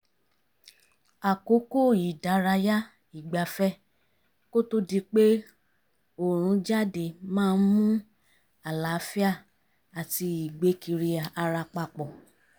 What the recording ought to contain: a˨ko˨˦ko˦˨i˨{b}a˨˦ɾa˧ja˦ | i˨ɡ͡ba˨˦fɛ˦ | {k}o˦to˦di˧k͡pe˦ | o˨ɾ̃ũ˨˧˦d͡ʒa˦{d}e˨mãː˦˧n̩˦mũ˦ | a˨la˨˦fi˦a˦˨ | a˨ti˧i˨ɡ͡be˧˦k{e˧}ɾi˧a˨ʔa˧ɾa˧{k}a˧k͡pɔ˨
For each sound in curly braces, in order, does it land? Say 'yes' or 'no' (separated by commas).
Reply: no, yes, yes, no, no